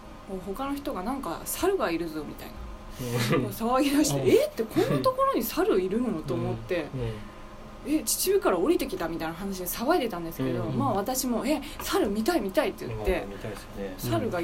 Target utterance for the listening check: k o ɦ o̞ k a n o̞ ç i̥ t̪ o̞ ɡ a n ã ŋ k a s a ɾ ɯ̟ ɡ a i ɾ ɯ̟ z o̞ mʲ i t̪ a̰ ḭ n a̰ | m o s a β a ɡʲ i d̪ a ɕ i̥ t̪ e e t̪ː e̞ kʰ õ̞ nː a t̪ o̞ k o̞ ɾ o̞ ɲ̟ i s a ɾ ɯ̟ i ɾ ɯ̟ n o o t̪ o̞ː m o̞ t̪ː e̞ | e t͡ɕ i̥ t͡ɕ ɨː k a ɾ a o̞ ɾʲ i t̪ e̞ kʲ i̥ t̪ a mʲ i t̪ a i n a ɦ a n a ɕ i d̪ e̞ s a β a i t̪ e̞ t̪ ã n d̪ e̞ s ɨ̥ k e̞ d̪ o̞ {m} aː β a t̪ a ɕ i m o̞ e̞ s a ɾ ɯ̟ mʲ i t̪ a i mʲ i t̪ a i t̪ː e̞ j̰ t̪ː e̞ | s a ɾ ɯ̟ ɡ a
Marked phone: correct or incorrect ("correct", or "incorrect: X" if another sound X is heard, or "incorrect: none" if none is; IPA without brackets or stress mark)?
correct